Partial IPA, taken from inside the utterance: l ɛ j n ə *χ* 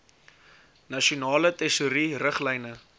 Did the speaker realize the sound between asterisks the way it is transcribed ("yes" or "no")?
no